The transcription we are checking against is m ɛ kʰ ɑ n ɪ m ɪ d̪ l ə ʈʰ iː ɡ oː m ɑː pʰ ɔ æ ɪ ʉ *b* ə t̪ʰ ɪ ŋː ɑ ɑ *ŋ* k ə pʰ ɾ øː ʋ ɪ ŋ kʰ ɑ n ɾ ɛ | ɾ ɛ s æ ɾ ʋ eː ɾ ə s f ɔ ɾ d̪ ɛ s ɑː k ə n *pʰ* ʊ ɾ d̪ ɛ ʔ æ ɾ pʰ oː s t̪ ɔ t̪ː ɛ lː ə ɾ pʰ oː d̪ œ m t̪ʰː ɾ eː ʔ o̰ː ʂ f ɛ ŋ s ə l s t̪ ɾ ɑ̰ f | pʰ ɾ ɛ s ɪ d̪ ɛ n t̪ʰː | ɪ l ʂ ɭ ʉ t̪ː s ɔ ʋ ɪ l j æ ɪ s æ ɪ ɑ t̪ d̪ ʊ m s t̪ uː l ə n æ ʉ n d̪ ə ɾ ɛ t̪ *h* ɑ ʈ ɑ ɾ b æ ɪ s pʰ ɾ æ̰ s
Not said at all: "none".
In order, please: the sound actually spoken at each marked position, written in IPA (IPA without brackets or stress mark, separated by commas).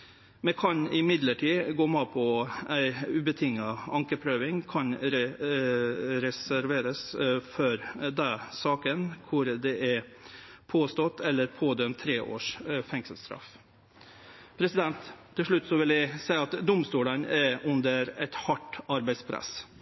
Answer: b, ŋ, kʰ, h